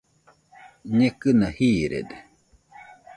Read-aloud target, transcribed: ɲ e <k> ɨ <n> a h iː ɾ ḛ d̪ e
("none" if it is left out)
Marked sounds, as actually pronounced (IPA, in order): k, n

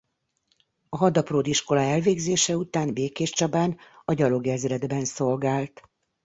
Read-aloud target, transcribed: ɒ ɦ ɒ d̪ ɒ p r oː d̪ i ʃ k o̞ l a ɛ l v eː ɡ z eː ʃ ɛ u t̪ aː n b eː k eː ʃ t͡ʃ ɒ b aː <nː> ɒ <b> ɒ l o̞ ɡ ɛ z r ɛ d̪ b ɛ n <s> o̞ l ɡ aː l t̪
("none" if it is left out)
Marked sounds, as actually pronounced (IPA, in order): n, ɟ, s

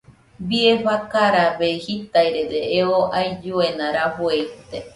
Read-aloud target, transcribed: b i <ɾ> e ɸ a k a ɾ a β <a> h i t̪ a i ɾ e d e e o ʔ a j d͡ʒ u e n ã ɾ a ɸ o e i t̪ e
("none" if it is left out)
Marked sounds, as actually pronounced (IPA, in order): none, e

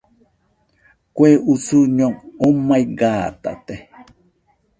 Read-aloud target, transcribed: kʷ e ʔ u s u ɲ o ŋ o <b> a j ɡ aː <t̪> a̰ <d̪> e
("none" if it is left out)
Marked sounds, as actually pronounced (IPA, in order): m, t̪, t̪

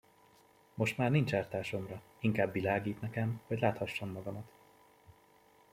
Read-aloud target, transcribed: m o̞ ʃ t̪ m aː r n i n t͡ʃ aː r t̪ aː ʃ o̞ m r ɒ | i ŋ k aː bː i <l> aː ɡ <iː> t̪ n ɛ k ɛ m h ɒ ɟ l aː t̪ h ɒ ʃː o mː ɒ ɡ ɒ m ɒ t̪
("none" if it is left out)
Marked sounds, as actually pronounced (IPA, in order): l, iː

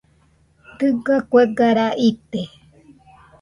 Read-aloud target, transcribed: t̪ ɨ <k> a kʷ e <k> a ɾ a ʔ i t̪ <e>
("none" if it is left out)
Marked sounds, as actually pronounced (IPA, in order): ɡ, ɡ, e

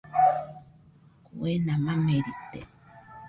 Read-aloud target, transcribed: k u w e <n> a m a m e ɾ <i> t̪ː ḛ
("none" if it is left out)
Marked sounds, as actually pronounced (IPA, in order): n, i

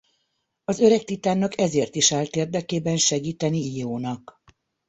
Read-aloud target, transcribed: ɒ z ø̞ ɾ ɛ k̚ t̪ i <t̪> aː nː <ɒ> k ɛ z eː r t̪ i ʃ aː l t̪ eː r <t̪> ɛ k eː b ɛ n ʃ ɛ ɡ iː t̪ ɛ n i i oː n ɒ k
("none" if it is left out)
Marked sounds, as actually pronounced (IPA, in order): t̪, ɒ, d̪

